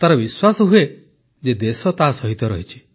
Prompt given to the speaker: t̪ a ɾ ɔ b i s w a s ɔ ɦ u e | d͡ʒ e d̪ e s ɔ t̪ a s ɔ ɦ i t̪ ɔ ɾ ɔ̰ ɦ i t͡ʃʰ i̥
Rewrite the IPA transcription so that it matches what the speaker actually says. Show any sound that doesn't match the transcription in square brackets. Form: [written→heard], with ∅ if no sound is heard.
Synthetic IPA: t̪ a ɾ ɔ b i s w a s ɔ ɦ u e | d͡ʒ e d̪ e s ɔ t̪ a s ɔ ɦ i t̪ ɔ ɾ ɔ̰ ɦ i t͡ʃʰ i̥

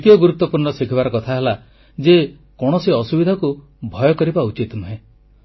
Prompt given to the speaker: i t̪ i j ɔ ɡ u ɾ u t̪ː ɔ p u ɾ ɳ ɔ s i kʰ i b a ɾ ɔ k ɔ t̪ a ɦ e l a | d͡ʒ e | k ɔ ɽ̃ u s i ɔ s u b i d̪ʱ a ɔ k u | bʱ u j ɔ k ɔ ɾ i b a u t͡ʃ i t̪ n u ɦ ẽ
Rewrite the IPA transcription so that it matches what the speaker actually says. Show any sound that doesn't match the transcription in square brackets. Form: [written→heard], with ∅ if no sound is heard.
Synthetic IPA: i t̪ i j ɔ ɡ u ɾ u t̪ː ɔ p u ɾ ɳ ɔ s i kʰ i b a ɾ ɔ k ɔ [t̪→t̪ʰ] a ɦ e l a | d͡ʒ e | k ɔ ɽ̃ [u→ɔ] s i ɔ s u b i d̪ʱ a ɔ k u | bʱ [u→ɔ] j ɔ k ɔ ɾ i b a u t͡ʃ i t̪ n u ɦ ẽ

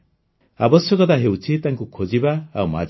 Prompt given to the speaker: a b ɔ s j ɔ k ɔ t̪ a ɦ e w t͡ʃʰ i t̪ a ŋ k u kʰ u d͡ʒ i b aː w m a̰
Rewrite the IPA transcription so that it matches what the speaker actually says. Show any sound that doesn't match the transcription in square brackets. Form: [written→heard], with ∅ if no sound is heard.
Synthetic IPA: a b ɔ s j ɔ k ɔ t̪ a ɦ e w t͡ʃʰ i t̪ a ŋ k u kʰ [u→o] d͡ʒ i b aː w m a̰

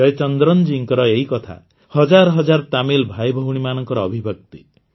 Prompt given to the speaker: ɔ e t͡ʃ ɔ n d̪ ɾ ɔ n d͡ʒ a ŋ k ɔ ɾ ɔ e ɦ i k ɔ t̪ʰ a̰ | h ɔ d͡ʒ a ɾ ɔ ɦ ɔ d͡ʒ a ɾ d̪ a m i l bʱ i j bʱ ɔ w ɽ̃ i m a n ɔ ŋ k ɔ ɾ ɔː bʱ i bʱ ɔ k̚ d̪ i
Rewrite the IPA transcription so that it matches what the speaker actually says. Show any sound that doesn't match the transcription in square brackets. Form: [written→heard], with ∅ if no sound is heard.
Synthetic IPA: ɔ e t͡ʃ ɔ n d̪ ɾ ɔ n d͡ʒ [a→i] ŋ k ɔ ɾ ɔ e ɦ i k ɔ t̪ʰ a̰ | h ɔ d͡ʒ a ɾ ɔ ɦ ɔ d͡ʒ a ɾ [d̪→t̪] a m i l bʱ [i→a] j bʱ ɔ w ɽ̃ i m a n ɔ ŋ k ɔ ɾ ɔː bʱ i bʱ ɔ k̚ [d̪→t̪] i

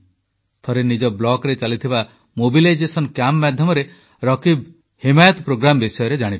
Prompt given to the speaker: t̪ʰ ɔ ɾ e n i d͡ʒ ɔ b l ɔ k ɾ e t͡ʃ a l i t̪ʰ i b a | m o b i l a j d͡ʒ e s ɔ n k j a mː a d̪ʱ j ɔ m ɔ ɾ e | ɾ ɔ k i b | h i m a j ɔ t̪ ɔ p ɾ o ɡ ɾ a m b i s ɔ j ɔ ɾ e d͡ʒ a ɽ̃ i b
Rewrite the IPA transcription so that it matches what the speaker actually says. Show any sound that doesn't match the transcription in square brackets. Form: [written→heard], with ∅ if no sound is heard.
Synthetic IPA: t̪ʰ ɔ ɾ e n i d͡ʒ ɔ b l ɔ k ɾ e t͡ʃ a l i t̪ʰ i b a | m o b i l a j d͡ʒ e s ɔ n k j a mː a d̪ʱ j ɔ m ɔ ɾ e | ɾ ɔ k i b | h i m a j ɔ t̪ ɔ p ɾ o ɡ ɾ a m b i s ɔ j ɔ ɾ e d͡ʒ a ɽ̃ i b

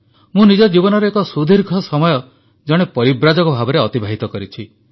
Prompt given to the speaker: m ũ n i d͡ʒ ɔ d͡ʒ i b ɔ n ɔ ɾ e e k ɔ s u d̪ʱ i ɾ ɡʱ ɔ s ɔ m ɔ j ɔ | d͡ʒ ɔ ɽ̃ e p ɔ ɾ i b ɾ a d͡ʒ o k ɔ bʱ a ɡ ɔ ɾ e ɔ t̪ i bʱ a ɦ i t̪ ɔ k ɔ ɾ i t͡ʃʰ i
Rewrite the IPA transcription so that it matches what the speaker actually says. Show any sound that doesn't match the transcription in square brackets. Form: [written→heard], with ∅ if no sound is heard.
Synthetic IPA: m ũ n i d͡ʒ ɔ d͡ʒ i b ɔ n ɔ ɾ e e k ɔ s u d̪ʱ i ɾ ɡʱ ɔ s ɔ m ɔ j ɔ | d͡ʒ ɔ ɽ̃ e p ɔ ɾ i b ɾ a d͡ʒ [o→ɔ] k ɔ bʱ a [ɡ→b] ɔ ɾ e ɔ t̪ i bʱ a ɦ i t̪ ɔ k ɔ ɾ i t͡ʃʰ i

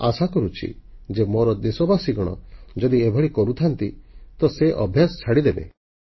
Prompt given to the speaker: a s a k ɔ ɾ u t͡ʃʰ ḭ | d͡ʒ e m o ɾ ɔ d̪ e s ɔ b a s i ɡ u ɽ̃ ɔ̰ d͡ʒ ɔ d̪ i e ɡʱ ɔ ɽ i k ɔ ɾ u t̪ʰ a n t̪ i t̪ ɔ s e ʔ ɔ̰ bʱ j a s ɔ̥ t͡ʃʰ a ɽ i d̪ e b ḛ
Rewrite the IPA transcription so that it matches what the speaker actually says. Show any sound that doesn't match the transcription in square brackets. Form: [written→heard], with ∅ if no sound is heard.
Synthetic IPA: a s a k ɔ ɾ u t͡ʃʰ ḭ | d͡ʒ e m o ɾ ɔ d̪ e s ɔ b a s i ɡ [u→ɔ] ɽ̃ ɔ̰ d͡ʒ ɔ d̪ i e [ɡʱ→bʱ] ɔ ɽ i k ɔ ɾ u t̪ʰ a n t̪ i t̪ ɔ s e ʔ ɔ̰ bʱ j a s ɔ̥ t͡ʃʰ a ɽ i d̪ e b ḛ

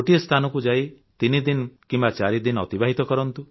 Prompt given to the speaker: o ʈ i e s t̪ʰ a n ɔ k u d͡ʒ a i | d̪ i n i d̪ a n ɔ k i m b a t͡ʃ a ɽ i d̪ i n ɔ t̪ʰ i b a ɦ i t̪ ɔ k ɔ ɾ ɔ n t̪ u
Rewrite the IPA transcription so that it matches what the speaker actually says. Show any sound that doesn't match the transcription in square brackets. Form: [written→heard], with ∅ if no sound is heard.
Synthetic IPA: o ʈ i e s t̪ʰ a n ɔ k u d͡ʒ a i | [d̪→t̪] i n i d̪ [a→i] n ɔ k i m b a t͡ʃ a [ɽ→ɾ] i d̪ i n ɔ [t̪ʰ→t̪] i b a ɦ i t̪ ɔ k ɔ ɾ ɔ n t̪ u

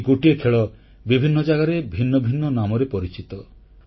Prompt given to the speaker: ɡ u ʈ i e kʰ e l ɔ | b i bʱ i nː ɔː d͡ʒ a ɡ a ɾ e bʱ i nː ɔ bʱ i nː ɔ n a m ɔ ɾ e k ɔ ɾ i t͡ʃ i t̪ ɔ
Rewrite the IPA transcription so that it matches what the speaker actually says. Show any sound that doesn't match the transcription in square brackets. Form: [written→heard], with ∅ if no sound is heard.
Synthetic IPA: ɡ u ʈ i e kʰ e [l→ɭ] ɔ | b i bʱ i nː [ɔː→ɔ] d͡ʒ a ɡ a ɾ e bʱ i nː ɔ bʱ i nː ɔ n a m ɔ ɾ e [k→p] ɔ ɾ i t͡ʃ i t̪ ɔ

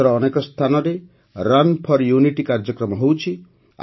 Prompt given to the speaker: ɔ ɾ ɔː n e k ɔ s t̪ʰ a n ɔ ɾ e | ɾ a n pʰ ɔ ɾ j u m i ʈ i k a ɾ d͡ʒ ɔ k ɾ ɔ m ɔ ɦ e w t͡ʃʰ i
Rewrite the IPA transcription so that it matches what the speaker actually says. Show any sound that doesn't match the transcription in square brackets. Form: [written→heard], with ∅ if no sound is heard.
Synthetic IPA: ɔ ɾ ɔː n e k ɔ s t̪ʰ a n ɔ ɾ e | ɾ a n pʰ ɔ ɾ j u [m→n] i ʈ i k a ɾ d͡ʒ ɔ k ɾ ɔ m ɔ ɦ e w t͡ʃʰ i

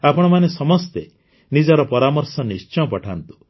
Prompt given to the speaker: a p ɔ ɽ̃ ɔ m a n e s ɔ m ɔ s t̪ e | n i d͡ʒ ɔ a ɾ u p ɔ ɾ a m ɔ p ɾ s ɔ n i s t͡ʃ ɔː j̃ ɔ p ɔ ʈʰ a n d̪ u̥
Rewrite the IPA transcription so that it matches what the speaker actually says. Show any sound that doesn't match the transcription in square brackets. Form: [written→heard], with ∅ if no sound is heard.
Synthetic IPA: a p ɔ ɽ̃ ɔ m a n e s ɔ m ɔ s t̪ e | n i d͡ʒ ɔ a ɾ [u→ɔ] p ɔ ɾ a m ɔ [p→∅] ɾ s ɔ n i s t͡ʃ [ɔː→ɔ] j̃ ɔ p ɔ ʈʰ a n [d̪→t̪] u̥

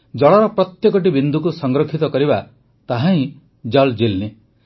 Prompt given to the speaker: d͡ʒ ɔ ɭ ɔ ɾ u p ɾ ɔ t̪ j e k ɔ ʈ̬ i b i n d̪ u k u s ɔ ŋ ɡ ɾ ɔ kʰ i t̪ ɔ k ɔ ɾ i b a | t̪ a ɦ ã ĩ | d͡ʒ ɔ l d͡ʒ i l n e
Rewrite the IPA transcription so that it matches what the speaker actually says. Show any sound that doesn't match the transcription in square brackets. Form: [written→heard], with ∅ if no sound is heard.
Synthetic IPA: d͡ʒ ɔ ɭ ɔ ɾ [u→ɔ] p ɾ ɔ t̪ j e k ɔ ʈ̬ i b i n d̪ u k u s ɔ ŋ ɡ ɾ ɔ kʰ i t̪ ɔ k ɔ ɾ i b a | t̪ a ɦ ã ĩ | d͡ʒ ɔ l d͡ʒ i l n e

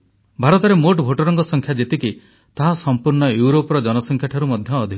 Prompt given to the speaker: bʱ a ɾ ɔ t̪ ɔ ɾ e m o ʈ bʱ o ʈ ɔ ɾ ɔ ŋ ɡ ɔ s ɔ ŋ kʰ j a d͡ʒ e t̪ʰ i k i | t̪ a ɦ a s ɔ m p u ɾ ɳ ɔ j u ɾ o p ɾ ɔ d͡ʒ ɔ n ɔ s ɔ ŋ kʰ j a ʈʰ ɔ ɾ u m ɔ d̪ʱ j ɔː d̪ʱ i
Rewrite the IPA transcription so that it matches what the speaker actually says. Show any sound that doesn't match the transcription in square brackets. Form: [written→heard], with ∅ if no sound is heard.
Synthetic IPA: bʱ a ɾ ɔ t̪ ɔ ɾ e m o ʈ bʱ o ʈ ɔ ɾ ɔ ŋ [ɡ→k] ɔ s ɔ ŋ kʰ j a d͡ʒ e [t̪ʰ→t̪] i k i | t̪ a ɦ a s ɔ m p u ɾ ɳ ɔ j u ɾ o p ɾ ɔ d͡ʒ ɔ n ɔ s ɔ ŋ kʰ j a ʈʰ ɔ ɾ u m ɔ d̪ʱ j ɔː d̪ʱ i

